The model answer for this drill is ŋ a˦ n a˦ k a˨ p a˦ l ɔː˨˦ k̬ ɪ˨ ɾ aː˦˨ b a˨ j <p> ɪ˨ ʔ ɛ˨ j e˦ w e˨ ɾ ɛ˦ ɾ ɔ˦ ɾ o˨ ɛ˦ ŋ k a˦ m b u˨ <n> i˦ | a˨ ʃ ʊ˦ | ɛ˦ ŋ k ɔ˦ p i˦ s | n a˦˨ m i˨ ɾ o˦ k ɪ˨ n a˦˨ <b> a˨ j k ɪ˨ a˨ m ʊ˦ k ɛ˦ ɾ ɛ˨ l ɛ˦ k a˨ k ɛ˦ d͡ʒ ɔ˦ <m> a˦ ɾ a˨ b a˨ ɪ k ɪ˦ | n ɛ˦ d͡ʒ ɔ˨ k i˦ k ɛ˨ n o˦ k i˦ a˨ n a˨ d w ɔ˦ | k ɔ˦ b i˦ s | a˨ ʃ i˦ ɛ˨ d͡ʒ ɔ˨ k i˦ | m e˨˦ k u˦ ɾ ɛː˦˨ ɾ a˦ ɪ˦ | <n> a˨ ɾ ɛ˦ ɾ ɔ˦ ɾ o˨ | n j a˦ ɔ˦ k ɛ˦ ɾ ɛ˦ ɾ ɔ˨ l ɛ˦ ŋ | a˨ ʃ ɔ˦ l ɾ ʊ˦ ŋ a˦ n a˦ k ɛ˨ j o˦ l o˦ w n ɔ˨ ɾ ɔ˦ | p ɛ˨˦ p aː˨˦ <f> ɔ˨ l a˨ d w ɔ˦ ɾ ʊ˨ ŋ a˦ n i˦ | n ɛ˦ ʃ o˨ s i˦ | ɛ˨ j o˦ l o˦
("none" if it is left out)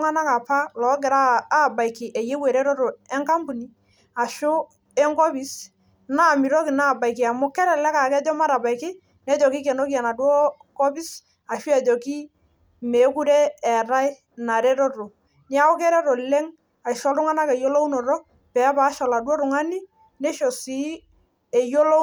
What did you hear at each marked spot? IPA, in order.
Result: k, n, b, m, n, ʃ

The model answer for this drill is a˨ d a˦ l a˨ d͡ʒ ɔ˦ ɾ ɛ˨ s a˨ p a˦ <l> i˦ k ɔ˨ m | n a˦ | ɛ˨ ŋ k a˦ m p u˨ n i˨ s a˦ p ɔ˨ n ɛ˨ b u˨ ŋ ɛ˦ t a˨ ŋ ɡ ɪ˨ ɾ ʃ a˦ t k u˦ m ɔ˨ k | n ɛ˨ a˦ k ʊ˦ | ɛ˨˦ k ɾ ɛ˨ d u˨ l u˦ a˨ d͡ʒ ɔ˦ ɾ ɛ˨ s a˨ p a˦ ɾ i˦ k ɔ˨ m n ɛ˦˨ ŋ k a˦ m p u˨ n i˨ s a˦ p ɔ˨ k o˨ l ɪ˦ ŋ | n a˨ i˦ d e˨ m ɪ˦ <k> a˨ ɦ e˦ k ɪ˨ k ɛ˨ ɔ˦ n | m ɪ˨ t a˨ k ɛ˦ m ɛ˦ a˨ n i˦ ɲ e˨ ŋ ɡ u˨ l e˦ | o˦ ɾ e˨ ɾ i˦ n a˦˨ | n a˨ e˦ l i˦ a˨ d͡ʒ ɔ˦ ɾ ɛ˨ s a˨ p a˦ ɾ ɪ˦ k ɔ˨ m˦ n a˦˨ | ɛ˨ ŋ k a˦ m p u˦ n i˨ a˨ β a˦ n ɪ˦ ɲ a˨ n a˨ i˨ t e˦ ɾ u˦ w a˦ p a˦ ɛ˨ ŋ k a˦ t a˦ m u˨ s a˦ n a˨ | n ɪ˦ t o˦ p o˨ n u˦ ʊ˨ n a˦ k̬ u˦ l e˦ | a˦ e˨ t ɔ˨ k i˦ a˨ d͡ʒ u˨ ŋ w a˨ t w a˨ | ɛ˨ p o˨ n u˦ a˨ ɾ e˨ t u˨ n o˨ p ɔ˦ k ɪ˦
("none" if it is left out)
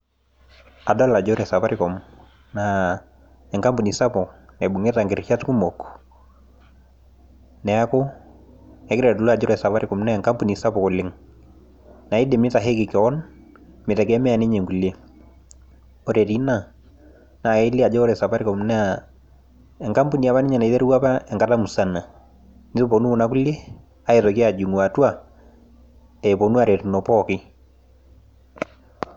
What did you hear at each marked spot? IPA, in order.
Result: ɾ, t

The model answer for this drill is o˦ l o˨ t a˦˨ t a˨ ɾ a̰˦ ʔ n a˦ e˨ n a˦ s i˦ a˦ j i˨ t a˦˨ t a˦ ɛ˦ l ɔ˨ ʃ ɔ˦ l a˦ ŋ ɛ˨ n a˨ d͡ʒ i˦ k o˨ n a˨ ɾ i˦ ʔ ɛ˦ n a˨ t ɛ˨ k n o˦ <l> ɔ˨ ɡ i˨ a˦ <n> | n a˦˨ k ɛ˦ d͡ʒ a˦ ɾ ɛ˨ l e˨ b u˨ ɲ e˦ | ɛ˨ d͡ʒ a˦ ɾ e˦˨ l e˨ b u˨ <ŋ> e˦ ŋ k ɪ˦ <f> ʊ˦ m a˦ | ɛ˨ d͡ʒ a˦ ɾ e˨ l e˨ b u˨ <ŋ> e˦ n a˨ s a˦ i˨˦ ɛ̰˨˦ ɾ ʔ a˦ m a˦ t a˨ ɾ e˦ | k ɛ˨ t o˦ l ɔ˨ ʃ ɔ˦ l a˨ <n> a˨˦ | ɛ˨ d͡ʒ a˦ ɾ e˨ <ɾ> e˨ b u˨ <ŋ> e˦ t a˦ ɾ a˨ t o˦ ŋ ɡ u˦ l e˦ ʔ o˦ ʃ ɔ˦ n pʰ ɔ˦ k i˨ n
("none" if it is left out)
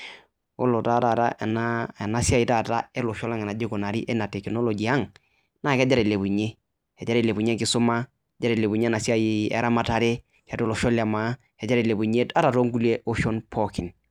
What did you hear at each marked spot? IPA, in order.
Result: l, ŋ, ɲ, s, ɲ, m, l, ɲ

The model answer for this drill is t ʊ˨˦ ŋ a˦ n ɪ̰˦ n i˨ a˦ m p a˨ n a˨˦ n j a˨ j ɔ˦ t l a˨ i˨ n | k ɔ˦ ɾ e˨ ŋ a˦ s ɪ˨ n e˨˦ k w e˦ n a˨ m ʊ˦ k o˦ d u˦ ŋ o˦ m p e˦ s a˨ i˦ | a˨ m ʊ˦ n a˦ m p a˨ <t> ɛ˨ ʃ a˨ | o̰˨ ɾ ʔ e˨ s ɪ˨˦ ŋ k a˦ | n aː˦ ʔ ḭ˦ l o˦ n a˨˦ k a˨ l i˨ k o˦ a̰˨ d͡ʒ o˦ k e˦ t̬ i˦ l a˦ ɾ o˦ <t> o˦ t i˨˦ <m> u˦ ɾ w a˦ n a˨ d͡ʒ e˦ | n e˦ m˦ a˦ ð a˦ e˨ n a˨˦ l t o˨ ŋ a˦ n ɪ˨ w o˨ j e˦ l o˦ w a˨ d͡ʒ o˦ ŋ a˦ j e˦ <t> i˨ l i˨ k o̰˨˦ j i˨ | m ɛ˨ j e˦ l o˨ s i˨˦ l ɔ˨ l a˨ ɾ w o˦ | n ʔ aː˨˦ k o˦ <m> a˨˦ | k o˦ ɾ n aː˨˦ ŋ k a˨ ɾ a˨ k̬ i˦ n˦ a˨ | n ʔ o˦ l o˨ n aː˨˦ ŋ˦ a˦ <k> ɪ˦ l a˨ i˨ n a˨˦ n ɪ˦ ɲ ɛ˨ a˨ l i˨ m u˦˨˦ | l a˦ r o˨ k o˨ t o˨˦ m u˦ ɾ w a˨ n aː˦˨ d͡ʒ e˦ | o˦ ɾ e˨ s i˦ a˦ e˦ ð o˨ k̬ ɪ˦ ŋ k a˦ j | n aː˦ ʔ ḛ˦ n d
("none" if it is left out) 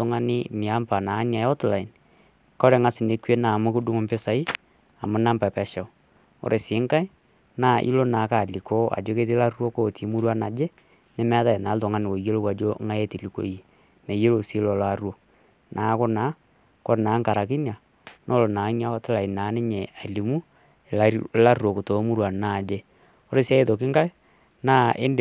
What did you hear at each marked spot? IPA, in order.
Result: p, k, m, t, n, t

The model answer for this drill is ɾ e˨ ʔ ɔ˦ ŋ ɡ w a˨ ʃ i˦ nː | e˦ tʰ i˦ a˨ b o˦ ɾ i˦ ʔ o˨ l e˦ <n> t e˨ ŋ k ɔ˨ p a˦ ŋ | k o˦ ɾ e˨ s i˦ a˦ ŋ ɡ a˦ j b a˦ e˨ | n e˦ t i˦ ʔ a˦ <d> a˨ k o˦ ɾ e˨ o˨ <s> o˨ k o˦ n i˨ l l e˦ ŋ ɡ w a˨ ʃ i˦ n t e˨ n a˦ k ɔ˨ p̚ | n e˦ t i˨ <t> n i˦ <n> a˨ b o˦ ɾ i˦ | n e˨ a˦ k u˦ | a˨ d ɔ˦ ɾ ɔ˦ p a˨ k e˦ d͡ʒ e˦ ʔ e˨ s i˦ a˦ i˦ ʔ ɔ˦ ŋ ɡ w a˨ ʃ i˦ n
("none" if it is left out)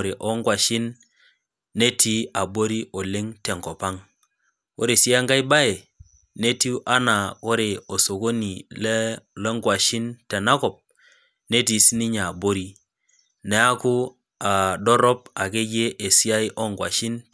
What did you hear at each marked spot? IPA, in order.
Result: ŋ, n, s, s, ɲ

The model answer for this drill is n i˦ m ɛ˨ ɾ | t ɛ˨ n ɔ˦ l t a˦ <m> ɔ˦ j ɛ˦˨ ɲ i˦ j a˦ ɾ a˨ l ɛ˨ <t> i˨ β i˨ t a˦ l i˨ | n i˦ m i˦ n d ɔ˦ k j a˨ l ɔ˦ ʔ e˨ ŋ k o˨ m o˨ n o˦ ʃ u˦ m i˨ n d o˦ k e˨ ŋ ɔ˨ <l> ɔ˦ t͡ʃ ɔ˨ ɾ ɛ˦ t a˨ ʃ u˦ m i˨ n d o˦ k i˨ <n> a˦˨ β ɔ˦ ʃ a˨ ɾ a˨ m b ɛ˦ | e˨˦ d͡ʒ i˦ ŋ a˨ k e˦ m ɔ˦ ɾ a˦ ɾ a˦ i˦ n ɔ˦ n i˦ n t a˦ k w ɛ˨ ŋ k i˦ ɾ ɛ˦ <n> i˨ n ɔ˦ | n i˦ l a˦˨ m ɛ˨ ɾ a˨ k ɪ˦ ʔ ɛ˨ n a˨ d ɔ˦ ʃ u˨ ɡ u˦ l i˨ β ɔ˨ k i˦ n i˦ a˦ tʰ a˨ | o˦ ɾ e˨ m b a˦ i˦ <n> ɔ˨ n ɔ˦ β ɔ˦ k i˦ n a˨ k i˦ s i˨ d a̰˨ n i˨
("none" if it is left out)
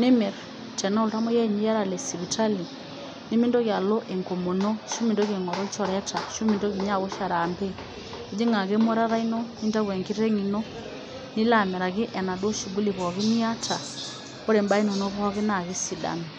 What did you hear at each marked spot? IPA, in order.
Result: m, s, ɾ, ɲ, ŋ, n

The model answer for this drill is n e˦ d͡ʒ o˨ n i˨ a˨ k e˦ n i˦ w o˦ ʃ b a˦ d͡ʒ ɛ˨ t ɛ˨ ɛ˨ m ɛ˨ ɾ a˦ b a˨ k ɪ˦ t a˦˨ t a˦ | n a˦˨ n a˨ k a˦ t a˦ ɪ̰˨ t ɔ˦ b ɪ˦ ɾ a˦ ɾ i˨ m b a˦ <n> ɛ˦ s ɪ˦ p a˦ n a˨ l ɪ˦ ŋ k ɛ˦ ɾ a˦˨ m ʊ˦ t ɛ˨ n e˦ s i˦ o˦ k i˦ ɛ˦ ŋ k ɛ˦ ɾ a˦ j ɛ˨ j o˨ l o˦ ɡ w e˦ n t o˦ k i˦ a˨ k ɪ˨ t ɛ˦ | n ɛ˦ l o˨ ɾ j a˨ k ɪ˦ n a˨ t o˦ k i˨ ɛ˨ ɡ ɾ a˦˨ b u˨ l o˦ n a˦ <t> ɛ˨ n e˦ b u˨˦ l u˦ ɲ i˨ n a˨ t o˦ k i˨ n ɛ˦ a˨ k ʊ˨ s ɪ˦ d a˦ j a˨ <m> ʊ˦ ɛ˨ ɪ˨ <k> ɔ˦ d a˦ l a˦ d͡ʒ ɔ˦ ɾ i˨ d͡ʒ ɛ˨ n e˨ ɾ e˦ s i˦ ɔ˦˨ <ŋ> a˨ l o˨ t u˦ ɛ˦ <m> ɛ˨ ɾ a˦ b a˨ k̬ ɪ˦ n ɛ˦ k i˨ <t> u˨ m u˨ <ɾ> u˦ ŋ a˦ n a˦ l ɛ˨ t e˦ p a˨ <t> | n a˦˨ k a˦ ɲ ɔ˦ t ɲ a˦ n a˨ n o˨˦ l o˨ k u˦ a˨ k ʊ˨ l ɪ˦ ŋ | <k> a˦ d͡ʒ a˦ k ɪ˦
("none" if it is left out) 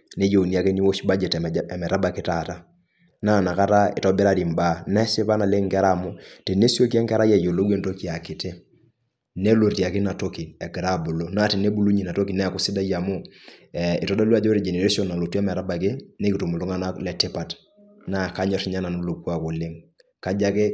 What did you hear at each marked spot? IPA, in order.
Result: n, t, m, t, n, m, t, l, t, k

